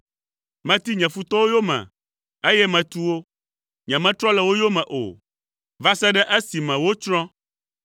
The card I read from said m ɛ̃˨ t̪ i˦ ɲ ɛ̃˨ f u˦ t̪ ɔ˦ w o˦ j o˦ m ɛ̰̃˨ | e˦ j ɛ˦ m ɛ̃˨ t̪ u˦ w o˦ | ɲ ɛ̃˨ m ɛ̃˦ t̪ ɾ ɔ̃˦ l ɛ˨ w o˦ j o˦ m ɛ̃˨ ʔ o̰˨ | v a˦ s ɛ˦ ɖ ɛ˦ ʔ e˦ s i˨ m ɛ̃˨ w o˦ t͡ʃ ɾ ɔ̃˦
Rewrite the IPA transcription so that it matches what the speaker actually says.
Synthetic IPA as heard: m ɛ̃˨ t̪ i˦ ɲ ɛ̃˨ f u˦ t̪ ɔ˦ w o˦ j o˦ m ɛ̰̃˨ | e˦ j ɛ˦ m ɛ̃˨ t̪ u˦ w o˦ | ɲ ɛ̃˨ m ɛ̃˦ t̪ ɾ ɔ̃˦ l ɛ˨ w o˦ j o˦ m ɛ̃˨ ʔ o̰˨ | v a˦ s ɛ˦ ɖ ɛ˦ ʔ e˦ s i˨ m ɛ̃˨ w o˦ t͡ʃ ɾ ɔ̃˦